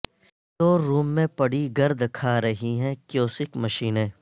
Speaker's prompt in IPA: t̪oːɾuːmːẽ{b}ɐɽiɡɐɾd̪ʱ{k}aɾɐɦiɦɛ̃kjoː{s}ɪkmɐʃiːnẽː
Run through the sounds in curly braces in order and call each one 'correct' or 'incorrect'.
incorrect: p, incorrect: kʰ, correct

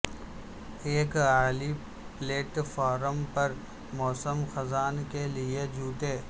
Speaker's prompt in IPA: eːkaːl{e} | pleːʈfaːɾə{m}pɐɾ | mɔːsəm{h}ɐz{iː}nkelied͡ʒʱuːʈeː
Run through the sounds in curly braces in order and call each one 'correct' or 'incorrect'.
incorrect: i, correct, incorrect: x, incorrect: aː

